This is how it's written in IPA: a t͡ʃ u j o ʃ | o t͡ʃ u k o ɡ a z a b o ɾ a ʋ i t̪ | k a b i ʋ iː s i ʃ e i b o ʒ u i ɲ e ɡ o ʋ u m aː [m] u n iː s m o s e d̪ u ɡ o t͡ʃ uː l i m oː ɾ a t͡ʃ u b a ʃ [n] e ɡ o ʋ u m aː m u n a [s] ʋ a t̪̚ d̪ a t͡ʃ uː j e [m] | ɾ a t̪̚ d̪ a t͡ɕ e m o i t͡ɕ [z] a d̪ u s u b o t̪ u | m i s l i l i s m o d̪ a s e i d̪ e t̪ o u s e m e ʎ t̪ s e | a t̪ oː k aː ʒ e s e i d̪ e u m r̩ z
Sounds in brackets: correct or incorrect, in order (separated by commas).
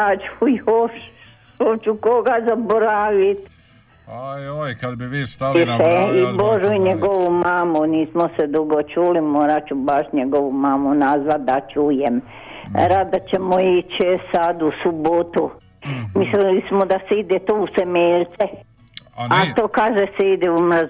correct, incorrect, incorrect, correct, incorrect